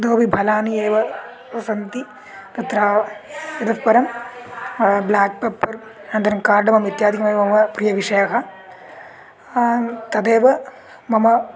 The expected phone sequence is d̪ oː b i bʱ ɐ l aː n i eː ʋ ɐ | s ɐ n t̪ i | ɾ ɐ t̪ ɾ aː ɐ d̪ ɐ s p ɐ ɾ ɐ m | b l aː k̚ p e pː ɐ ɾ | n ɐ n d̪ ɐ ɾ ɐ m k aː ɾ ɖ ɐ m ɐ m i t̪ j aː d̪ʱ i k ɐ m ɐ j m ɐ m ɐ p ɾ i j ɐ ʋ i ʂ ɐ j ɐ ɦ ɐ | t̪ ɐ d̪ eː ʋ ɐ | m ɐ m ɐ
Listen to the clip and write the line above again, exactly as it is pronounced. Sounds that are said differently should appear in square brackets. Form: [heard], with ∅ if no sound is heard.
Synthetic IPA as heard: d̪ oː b i bʱ ɐ l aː n i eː ʋ ɐ | s ɐ n t̪ i | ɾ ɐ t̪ ɾ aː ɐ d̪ ɐ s p ɐ ɾ ɐ m | b l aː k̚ p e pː ɐ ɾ | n ɐ n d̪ ɐ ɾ ɐ m k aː ɾ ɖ ɐ m ɐ m i t̪ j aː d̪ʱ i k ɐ m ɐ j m ɐ m ɐ p ɾ i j ɐ ʋ i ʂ ɐ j ɐ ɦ ɐ | t̪ ɐ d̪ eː ʋ ɐ | m ɐ m ɐ